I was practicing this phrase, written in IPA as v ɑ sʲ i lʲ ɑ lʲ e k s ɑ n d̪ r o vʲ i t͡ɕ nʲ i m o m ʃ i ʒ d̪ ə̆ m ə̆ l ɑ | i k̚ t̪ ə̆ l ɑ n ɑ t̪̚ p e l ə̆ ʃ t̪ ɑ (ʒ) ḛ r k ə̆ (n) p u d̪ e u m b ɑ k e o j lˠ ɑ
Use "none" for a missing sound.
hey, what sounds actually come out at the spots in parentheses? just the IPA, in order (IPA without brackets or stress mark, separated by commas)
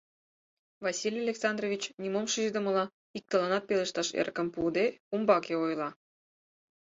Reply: ʃ, m